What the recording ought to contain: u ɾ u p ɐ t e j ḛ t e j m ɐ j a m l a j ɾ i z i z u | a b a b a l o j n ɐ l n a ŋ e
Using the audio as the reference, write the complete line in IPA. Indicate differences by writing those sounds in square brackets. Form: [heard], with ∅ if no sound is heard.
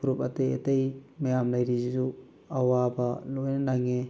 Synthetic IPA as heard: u ɾ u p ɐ t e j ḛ t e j m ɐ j a m l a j ɾ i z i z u | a [w] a b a l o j n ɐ [∅] n a ŋ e